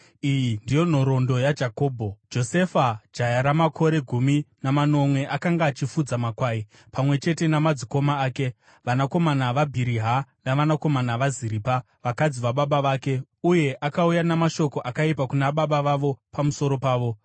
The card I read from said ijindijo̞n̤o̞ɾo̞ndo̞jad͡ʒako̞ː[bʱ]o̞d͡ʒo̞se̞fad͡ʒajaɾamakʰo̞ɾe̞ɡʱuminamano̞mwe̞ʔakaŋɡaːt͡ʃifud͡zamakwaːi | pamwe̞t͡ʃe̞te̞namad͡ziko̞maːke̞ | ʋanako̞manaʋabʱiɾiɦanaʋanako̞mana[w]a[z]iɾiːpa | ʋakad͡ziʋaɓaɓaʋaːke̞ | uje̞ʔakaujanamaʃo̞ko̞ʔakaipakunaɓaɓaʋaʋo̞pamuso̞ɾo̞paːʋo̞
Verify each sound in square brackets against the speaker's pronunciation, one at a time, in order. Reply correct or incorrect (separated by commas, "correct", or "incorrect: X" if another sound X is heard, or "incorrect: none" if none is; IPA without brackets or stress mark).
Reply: correct, incorrect: ʋ, correct